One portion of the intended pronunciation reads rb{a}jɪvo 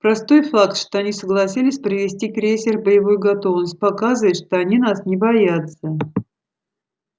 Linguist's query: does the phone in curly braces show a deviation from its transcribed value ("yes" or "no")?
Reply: yes